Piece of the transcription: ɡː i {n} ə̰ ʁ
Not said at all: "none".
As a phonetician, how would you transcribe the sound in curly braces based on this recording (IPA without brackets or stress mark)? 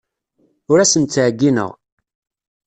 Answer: n